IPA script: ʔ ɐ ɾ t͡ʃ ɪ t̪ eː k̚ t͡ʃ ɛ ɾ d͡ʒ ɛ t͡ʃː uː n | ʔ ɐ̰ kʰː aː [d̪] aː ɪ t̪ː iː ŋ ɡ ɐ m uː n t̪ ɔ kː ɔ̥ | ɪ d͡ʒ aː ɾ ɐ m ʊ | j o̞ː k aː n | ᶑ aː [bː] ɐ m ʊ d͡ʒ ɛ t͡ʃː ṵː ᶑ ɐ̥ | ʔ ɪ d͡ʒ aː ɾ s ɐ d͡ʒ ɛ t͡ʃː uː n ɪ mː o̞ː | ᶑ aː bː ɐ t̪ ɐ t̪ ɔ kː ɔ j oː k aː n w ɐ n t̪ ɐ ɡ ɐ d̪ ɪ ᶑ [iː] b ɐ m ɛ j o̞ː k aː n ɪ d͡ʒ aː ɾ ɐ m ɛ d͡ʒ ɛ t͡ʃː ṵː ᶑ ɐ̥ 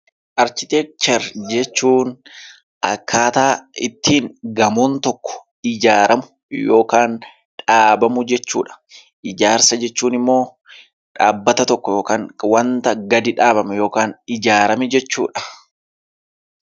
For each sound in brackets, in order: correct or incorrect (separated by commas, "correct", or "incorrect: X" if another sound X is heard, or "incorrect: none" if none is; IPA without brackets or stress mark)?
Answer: incorrect: t̪, incorrect: b, incorrect: aː